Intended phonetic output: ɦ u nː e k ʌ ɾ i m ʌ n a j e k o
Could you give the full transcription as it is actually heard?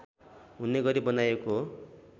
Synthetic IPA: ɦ u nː e ɡ ʌ ɾ i b ʌ n a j e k o